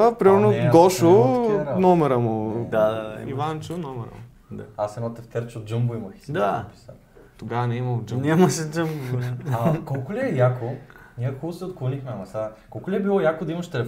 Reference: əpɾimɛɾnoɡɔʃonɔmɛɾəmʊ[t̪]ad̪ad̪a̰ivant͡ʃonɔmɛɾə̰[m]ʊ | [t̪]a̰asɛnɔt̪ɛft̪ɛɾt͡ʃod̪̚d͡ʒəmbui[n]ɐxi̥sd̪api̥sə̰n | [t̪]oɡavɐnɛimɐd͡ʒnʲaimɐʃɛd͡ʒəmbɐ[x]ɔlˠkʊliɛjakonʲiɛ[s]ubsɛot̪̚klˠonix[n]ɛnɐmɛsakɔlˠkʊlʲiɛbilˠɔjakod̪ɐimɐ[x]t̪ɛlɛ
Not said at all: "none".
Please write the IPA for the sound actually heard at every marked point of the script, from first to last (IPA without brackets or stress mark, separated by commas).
d̪, m, d̪, m, t̪, k, x, m, ʃ